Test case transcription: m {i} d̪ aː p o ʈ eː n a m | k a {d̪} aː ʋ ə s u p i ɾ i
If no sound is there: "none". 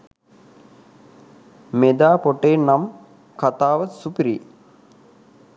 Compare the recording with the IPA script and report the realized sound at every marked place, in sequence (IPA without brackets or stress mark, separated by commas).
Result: e, t̪